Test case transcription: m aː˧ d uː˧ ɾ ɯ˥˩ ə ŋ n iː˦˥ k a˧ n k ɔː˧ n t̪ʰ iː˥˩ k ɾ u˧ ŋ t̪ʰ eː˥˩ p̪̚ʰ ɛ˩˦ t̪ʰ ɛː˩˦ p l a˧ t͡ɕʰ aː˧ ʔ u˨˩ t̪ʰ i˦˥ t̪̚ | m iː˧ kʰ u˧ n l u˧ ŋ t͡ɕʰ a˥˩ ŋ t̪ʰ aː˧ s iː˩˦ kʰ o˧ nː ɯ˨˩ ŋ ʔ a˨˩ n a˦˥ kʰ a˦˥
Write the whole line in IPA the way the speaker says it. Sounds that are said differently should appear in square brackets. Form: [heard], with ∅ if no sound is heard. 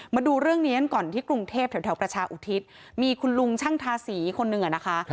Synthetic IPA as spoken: m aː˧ d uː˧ ɾ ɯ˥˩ ə ŋ n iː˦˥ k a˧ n k [ɔː˨˩] n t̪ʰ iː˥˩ k ɾ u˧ ŋ t̪ʰ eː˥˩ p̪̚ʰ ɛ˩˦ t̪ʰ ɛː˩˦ p [ɾ] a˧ t͡ɕʰ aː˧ ʔ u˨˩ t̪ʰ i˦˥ t̪̚ | m iː˧ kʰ u˧ n l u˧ ŋ t͡ɕʰ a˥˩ ŋ t̪ʰ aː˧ s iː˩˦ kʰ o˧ nː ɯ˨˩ ŋ ʔ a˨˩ n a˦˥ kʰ a˦˥